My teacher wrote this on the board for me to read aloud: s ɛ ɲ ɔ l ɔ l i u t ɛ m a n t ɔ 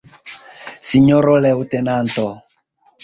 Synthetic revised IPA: s i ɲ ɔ ɾ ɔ l ɛ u t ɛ n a n t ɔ